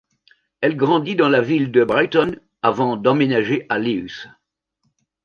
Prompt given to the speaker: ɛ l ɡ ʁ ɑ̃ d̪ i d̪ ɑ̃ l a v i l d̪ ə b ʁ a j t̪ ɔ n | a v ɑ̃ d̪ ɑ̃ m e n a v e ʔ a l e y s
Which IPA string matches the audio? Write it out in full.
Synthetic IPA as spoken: ɛ l ɡ ʁ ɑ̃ d̪ i d̪ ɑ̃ l a v i l d̪ ə b ʁ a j t̪ ɔ n | a v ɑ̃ d̪ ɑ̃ m e n a ʒ e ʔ a l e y s